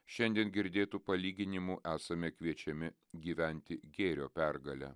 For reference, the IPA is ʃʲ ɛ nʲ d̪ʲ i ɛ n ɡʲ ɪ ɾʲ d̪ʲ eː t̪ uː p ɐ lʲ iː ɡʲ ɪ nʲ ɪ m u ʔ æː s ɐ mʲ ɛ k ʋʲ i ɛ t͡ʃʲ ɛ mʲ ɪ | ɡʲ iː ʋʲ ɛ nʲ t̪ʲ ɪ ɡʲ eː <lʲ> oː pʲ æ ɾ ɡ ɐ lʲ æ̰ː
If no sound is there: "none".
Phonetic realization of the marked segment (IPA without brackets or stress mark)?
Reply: ɾʲ